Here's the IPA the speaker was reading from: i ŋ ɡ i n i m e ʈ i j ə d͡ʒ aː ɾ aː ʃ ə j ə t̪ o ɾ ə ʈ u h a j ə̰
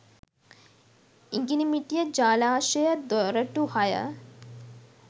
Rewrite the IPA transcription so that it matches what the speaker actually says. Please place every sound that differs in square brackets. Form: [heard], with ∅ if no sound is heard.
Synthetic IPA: i ŋ ɡ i n i m [i] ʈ i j ə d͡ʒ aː [l] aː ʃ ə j ə [d̪] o ɾ ə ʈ u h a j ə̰